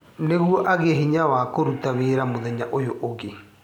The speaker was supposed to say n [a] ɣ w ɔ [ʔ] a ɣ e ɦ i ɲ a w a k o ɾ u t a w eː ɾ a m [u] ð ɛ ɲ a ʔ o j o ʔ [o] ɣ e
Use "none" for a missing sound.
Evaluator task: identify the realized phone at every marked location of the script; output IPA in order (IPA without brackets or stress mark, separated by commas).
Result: e, ʔ, o, o